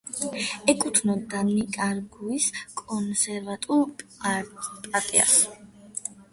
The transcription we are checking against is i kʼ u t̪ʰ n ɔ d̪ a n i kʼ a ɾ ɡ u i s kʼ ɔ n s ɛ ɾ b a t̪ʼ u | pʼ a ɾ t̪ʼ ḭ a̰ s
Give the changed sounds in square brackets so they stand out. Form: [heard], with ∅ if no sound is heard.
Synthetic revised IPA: [ɛ] kʼ u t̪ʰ n ɔ d̪ a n i kʼ a ɾ ɡ u i s kʼ ɔ n s ɛ ɾ [v] a t̪ʼ u | pʼ a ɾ t̪ʼ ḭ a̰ s